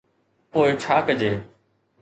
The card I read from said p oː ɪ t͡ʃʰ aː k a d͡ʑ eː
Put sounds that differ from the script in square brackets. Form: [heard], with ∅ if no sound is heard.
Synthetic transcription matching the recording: p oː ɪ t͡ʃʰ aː k [ə] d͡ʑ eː